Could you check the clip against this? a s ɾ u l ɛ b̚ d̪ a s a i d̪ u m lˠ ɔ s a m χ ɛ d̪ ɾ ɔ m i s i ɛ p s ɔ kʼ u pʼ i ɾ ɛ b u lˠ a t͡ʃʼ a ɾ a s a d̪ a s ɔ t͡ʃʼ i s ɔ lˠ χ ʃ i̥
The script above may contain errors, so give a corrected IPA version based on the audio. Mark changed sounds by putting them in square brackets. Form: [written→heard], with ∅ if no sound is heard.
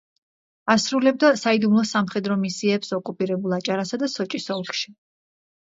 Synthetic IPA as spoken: a s ɾ u l ɛ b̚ d̪ a s a i d̪ u m lˠ ɔ s a m χ ɛ d̪ ɾ ɔ m i s i ɛ p s ɔ kʼ u pʼ i ɾ ɛ b u lˠ a t͡ʃʼ a ɾ a s a d̪ a s ɔ t͡ʃʼ i s ɔ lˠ χ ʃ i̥